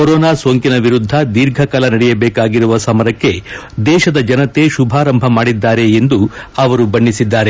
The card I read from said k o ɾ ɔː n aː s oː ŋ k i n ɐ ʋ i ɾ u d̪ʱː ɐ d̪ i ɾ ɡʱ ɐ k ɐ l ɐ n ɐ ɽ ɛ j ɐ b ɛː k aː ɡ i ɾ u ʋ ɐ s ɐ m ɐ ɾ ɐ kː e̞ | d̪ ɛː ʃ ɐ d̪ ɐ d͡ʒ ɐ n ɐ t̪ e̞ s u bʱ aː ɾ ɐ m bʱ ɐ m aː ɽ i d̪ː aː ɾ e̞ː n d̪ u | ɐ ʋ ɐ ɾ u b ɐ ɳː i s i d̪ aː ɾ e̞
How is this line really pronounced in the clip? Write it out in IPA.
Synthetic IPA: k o ɾ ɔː n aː s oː ŋ k i n ɐ ʋ i ɾ u d̪ʱː ɐ d̪ i ɾ ɡʱ ɐ k ɐ l ɐ n ɐ ɽ ɛ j ɐ b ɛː k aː ɡ i ɾ u ʋ ɐ s ɐ m ɐ ɾ ɐ kː e̞ | d̪ ɛː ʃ ɐ d̪ ɐ d͡ʒ ɐ n ɐ t̪ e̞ ʃ u bʱ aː ɾ ɐ m bʱ ɐ m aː ɽ i d̪ː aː ɾ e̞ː n d̪ u | ɐ ʋ ɐ ɾ u b ɐ ɳː i s i d̪ː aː ɾ e̞